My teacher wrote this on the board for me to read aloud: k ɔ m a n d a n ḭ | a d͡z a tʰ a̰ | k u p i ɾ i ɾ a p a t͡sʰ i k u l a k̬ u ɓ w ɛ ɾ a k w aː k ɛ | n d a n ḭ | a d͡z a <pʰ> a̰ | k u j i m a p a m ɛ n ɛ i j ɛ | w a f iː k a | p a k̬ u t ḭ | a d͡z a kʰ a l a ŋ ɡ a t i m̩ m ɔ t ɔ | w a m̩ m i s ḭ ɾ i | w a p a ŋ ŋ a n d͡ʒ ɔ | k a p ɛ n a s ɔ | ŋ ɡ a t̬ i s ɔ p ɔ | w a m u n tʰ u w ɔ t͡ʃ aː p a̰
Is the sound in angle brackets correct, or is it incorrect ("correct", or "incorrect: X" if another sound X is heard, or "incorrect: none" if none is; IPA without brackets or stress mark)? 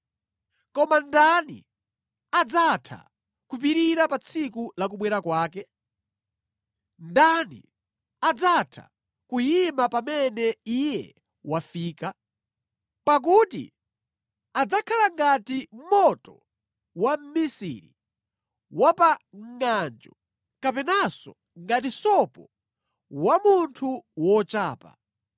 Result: incorrect: tʰ